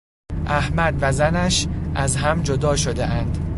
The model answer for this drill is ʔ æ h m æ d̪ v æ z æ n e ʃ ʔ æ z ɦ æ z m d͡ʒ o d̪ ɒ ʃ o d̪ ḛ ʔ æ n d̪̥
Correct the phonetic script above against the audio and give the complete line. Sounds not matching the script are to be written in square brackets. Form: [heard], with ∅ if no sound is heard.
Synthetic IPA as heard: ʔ æ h m æ d̪ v æ z æ n [æ] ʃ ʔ æ z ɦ æ [∅] m d͡ʒ o d̪ [ɒː] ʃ o d̪ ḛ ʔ æ n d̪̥